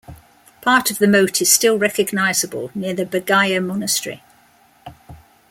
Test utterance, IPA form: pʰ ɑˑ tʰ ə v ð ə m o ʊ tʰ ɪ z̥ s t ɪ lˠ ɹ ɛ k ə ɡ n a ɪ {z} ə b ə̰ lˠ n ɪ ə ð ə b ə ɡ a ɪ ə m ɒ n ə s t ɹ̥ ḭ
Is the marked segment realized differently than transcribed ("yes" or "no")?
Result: no